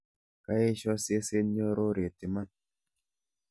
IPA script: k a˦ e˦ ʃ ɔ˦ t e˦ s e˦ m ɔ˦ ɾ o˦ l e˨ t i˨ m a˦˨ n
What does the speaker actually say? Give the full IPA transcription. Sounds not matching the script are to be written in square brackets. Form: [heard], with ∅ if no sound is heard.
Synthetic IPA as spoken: k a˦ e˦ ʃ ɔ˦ [s] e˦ s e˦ [ɲ] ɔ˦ ɾ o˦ [ɾ] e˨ t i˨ m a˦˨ n

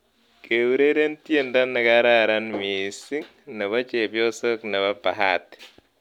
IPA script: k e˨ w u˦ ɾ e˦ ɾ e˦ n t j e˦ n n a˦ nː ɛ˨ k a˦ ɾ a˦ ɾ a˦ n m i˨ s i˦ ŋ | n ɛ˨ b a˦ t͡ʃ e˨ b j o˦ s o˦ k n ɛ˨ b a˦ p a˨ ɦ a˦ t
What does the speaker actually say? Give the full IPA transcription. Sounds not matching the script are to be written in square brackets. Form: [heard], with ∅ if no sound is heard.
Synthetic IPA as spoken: k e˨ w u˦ ɾ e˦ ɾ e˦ n t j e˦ n [d] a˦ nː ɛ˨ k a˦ ɾ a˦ ɾ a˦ n m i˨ s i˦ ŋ | n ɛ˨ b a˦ t͡ʃ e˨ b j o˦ s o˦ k n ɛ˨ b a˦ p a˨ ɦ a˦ t

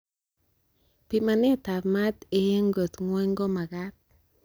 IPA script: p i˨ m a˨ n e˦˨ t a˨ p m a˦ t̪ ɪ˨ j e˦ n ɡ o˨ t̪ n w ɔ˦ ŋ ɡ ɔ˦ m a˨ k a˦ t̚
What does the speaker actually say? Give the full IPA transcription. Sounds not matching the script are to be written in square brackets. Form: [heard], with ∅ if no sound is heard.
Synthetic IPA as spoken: p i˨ m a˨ n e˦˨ t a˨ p m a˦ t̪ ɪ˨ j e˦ [ŋ] ɡ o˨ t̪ [ŋ] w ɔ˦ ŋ ɡ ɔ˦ m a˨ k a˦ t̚

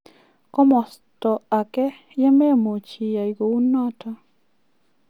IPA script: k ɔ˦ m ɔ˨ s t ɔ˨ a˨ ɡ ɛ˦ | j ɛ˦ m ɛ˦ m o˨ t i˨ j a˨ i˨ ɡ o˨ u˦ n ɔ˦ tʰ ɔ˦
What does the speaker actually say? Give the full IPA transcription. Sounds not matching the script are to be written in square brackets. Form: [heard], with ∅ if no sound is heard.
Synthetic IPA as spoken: k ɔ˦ m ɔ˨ s t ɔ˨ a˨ [k] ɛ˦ | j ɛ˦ m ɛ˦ m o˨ [t͡ʃ] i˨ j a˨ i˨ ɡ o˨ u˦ n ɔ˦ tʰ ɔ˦

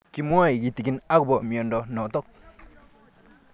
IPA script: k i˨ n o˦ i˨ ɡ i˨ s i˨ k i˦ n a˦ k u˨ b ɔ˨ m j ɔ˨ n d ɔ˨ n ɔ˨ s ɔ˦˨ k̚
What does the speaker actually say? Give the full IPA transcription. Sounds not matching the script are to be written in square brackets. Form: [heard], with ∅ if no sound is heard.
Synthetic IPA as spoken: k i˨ [m] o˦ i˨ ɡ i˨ [t] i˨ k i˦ n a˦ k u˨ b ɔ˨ m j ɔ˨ n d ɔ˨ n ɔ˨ [t] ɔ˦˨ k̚

